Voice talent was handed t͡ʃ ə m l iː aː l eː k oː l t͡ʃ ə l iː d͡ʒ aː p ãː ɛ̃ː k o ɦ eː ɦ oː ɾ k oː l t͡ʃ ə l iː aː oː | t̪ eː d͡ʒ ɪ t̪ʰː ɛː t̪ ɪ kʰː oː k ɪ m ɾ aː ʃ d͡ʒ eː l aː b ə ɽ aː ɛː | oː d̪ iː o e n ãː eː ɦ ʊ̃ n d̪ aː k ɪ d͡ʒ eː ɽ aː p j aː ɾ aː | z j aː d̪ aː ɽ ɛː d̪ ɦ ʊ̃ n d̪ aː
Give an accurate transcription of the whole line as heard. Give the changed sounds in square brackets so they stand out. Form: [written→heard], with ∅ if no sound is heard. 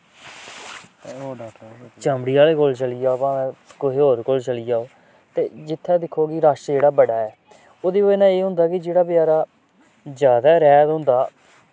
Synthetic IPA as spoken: t͡ʃ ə m [l→ɽ] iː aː l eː k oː l t͡ʃ ə l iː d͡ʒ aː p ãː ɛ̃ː k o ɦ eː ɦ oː ɾ k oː l t͡ʃ ə l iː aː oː | t̪ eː d͡ʒ ɪ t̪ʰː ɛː [t̪→d̪] ɪ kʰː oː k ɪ [m→∅] ɾ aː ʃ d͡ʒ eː [l→ɽ] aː b ə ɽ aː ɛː | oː d̪ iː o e n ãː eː ɦ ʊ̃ n d̪ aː k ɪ d͡ʒ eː ɽ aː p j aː ɾ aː | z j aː d̪ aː [ɽ→ɾ] ɛː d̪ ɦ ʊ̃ n d̪ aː